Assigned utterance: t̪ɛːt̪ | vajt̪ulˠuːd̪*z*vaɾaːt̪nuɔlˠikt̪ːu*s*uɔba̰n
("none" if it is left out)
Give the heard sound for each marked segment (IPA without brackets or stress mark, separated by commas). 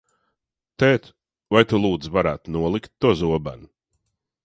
z, z